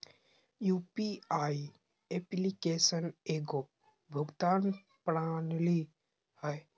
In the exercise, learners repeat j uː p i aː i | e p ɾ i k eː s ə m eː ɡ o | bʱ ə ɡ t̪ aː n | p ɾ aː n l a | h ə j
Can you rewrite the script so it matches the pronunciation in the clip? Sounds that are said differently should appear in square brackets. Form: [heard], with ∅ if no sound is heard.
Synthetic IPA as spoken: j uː p i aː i | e p [l] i k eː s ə [n] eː ɡ o | bʱ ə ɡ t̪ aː n | p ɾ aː n l [i] | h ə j